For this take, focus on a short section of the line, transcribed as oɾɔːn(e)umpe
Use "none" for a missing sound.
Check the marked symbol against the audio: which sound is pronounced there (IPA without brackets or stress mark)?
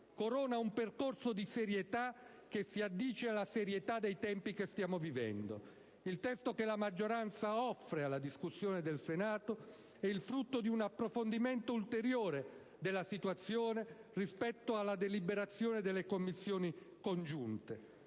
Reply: a